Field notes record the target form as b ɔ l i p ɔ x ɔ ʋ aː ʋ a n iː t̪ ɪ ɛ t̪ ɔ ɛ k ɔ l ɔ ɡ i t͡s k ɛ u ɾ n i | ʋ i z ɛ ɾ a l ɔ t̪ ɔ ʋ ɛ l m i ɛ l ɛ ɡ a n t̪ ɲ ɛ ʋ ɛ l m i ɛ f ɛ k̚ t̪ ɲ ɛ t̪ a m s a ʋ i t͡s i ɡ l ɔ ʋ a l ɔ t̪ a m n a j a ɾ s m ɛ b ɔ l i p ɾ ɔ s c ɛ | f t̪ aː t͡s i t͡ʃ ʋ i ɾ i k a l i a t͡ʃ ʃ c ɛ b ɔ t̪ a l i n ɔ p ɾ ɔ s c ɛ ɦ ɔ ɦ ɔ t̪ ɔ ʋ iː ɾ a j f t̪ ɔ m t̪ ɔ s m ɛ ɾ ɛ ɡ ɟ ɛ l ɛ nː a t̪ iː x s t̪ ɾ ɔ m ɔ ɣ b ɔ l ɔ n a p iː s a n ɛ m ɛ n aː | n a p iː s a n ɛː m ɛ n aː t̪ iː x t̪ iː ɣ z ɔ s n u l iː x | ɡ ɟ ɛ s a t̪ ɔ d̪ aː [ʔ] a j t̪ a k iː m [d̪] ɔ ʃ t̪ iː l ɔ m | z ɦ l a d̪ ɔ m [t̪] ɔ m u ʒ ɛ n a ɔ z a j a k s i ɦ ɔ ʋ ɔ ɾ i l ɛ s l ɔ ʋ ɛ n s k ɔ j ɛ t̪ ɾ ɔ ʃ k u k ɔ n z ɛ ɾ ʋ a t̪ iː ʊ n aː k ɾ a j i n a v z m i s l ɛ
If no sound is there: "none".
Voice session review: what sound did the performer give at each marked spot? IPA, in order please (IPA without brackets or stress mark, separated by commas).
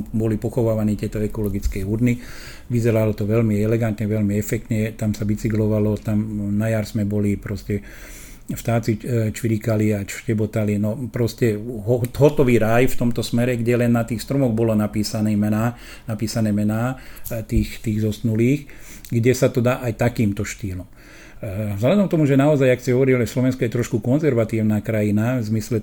ʔ, t̪, t̪